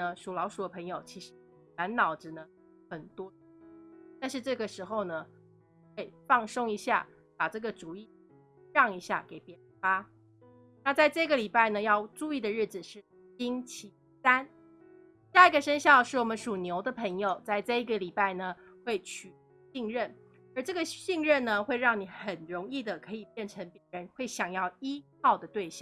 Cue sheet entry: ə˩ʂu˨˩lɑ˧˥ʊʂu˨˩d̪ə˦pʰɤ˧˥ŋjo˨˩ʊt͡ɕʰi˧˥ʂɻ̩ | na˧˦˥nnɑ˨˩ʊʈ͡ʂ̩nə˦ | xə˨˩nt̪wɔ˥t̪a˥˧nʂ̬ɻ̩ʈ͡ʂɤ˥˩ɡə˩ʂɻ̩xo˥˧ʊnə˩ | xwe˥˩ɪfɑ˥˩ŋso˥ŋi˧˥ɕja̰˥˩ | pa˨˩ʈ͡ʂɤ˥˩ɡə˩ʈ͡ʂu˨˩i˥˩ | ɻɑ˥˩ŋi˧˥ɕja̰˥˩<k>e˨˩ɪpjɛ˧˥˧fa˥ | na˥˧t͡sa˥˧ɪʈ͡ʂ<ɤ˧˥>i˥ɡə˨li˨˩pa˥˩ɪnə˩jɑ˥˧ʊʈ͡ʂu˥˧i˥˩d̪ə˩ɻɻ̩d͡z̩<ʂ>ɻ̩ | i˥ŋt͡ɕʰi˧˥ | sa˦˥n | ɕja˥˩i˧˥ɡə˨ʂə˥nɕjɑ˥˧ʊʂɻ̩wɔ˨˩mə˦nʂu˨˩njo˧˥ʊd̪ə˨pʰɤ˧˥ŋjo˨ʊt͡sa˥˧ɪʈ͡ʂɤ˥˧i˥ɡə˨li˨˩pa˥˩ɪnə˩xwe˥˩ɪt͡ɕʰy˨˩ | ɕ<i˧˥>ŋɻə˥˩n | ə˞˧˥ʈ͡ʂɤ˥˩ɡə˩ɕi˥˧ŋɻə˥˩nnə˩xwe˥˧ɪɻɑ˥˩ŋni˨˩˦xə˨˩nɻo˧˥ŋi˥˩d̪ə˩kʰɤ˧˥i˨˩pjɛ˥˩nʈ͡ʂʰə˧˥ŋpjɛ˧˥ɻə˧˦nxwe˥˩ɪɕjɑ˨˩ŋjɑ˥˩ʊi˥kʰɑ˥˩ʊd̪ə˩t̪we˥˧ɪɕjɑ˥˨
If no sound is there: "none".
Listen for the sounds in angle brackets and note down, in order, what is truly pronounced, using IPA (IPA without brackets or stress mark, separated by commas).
k, ɤ˥˧, ʂ, i˥˧